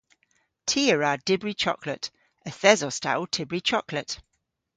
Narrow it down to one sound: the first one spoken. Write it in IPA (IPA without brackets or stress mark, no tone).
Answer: tʰ